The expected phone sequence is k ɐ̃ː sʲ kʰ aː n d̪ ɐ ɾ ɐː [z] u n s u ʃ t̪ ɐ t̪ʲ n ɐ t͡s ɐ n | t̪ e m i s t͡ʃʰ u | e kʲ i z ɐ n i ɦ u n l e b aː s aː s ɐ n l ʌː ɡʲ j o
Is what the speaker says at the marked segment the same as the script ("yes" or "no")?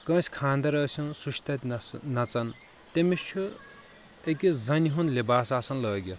no